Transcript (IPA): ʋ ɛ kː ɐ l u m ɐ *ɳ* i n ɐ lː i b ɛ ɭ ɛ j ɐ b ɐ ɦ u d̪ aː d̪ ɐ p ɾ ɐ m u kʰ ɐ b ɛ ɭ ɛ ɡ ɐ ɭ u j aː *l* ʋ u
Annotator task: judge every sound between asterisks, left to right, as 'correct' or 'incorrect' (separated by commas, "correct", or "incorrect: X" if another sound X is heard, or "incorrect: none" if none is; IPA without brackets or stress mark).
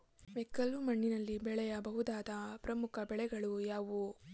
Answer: incorrect: ɳː, incorrect: none